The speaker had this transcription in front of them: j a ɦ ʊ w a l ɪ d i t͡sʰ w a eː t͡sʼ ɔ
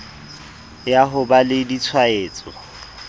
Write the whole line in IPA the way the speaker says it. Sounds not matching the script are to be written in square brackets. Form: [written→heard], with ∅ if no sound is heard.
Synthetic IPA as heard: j a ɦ ʊ [w→b] a l ɪ d i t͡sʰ w a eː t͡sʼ ɔ